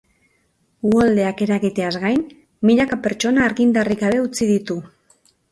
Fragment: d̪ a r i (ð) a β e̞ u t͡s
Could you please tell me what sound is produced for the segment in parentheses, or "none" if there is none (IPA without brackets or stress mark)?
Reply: ɣ